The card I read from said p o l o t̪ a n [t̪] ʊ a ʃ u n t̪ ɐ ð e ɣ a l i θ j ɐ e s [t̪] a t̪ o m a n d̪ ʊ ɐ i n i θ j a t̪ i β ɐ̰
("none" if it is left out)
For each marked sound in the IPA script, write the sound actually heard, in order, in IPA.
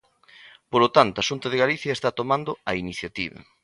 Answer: t̪, t̪

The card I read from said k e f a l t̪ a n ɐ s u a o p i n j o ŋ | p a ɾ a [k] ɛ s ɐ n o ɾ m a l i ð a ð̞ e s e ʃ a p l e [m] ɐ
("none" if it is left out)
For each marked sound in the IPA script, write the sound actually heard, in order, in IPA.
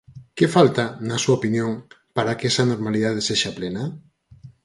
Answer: k, n

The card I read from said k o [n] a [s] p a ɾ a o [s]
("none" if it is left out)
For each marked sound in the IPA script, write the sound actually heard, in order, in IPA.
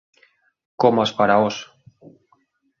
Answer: m, s, s

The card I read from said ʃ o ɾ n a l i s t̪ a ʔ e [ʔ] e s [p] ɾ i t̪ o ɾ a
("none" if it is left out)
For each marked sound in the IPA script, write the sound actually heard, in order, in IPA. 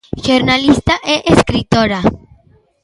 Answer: ʔ, k

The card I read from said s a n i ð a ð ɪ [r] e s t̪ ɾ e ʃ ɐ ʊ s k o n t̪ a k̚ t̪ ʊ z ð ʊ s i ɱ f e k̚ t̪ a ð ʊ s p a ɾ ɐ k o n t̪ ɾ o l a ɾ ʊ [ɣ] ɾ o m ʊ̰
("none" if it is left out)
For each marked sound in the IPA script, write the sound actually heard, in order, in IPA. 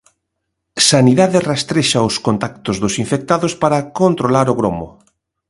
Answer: r, ɣ

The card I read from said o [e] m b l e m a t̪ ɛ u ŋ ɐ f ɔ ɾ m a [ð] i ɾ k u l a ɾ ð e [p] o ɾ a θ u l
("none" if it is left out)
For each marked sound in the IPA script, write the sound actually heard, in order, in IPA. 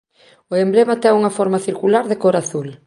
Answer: e, θ, k

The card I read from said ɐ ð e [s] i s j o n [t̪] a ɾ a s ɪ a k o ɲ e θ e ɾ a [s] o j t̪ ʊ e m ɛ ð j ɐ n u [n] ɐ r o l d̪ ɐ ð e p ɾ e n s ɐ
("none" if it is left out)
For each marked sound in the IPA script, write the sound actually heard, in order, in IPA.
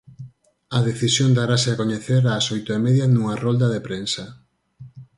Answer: θ, d̪, s, ŋ

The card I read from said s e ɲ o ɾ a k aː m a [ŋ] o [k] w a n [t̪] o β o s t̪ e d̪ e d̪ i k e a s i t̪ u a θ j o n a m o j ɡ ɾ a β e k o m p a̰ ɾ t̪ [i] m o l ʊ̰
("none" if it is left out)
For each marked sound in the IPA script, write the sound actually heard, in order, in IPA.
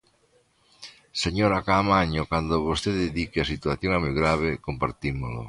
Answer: ɲ, k, d̪, i

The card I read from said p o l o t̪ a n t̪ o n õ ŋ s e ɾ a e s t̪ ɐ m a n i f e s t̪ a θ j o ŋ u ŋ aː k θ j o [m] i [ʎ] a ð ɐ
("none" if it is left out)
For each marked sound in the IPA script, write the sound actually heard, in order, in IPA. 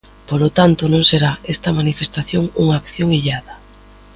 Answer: ŋ, ʎ

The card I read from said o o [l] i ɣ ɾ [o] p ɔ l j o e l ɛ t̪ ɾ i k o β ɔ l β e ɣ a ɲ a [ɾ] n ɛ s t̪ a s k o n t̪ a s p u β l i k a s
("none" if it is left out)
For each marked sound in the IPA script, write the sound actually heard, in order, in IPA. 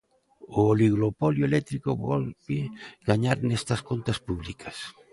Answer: l, o, ɾ

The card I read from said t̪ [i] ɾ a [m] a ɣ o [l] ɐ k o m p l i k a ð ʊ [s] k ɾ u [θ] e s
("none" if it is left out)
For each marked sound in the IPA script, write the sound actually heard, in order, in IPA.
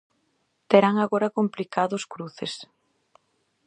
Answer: e, ŋ, ɾ, s, θ

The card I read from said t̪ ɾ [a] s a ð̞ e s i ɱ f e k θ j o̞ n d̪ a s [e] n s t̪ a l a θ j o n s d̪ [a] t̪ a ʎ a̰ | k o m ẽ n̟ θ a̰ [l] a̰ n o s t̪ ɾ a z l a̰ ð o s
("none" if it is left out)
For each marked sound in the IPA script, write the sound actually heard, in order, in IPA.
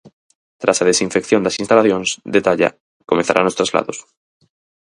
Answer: a, i, e, ɾ

